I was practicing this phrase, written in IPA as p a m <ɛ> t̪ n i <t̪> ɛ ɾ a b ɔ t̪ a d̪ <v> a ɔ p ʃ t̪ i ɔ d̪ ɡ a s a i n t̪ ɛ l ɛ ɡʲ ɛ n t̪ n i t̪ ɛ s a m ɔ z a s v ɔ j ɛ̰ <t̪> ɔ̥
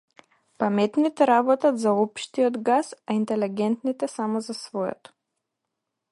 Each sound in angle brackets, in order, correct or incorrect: correct, correct, incorrect, correct

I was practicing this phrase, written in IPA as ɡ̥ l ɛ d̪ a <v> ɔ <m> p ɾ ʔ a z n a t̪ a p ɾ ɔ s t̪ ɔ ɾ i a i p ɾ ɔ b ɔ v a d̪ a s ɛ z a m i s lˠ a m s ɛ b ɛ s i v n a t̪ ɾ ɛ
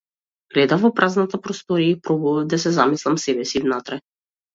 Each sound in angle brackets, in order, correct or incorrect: correct, incorrect

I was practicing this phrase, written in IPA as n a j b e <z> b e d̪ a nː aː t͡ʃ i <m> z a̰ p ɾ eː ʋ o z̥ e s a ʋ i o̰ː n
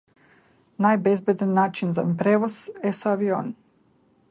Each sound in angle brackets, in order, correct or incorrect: correct, incorrect

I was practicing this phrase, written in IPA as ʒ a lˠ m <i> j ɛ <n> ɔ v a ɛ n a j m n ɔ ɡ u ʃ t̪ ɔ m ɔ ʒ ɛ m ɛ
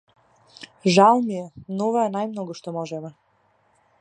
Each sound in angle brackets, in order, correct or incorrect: correct, correct

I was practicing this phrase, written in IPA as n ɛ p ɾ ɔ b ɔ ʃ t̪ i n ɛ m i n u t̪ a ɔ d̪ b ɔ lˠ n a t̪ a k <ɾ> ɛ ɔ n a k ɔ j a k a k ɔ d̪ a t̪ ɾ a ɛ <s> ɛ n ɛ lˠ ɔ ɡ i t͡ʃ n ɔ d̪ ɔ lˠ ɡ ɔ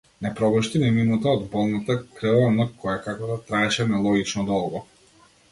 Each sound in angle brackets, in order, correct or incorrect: correct, incorrect

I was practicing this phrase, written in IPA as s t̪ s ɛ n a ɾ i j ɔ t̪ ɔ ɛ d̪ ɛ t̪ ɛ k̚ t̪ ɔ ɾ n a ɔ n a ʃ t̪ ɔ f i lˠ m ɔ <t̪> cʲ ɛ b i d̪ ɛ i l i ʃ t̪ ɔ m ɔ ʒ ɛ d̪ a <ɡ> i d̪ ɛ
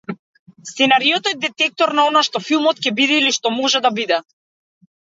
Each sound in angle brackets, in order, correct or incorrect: correct, incorrect

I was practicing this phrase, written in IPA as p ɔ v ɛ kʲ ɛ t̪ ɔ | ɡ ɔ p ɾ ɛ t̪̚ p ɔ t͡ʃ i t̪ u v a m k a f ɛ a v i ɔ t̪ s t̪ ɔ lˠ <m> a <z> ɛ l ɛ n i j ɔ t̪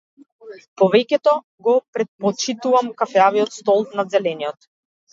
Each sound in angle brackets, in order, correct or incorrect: incorrect, correct

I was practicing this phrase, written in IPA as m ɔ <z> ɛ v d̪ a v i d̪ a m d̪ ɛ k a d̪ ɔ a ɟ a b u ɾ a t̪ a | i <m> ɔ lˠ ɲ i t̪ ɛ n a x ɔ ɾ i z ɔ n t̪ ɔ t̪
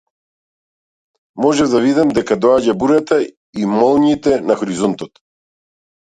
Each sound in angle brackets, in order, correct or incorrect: incorrect, correct

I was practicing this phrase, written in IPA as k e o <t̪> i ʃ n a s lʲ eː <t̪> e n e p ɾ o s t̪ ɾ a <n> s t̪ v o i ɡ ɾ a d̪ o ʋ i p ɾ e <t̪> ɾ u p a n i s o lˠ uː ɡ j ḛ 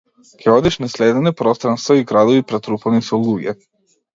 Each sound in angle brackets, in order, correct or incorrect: incorrect, incorrect, correct, correct

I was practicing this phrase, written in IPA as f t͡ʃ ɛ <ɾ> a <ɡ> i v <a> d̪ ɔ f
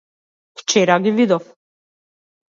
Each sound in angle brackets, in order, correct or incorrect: correct, correct, incorrect

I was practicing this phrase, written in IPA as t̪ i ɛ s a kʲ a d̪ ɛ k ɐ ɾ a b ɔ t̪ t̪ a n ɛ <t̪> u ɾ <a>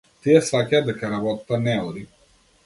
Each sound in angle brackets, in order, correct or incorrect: incorrect, incorrect

